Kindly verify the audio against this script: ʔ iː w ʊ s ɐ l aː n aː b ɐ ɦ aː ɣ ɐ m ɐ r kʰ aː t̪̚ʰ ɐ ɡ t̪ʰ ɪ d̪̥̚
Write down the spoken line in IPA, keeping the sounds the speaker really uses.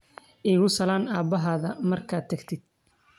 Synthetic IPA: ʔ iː ɣ ʊ s ɐ l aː n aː b ɐ ɦ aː ð ɐ m ɐ r kʰ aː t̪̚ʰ ɐ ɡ t̪ʰ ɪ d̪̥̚